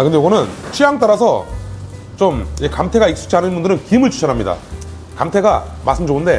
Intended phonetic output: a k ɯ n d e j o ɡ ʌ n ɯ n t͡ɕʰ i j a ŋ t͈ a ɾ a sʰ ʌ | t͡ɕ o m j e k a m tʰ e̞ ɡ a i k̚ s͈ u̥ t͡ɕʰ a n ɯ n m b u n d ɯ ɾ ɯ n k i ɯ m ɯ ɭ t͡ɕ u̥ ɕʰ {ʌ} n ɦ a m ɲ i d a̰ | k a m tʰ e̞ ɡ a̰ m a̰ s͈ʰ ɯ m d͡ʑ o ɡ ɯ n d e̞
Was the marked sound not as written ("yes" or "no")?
no